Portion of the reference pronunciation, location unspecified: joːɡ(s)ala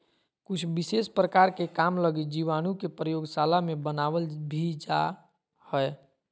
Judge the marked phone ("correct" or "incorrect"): correct